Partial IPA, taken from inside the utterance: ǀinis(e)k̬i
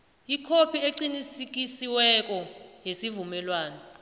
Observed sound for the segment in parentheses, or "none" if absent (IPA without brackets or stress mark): i